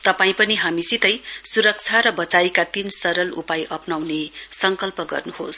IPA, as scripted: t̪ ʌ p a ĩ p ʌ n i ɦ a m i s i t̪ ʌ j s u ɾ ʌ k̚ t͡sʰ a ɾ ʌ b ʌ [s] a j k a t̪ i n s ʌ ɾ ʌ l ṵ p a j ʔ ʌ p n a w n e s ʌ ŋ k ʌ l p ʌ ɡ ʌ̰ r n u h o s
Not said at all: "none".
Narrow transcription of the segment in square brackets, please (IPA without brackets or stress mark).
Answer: t͡s